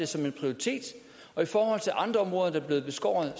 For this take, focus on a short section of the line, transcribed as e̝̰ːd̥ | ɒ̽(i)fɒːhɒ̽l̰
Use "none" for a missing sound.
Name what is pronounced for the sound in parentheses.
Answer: i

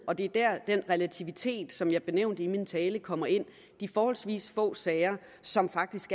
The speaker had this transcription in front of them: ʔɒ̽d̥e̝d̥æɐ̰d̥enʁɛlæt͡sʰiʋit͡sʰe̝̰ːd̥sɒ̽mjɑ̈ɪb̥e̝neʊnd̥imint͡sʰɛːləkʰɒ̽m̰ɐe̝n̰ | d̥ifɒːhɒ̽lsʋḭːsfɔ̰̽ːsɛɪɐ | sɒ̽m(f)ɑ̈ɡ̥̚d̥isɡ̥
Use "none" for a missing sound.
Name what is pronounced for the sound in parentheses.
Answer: f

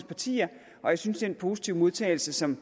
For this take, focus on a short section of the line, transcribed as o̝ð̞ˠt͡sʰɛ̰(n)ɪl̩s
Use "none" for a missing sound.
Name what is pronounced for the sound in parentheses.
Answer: none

